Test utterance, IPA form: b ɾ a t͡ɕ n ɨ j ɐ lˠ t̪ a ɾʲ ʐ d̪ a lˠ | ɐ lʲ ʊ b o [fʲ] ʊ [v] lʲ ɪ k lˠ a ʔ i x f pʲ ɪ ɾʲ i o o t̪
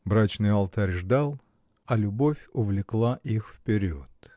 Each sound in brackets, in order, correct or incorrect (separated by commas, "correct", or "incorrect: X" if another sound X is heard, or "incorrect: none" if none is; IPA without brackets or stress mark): correct, correct